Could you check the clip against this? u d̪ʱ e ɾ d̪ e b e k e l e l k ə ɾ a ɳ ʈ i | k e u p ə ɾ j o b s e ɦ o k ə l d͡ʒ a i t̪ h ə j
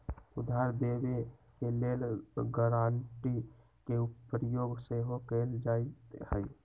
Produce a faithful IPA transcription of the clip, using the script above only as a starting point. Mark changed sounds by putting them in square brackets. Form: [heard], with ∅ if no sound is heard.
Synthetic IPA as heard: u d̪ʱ [a] ɾ d̪ e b e k e l e l [ɡ] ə ɾ a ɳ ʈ i | k e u p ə ɾ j o [ɡ] s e ɦ o k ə l d͡ʒ a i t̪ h ə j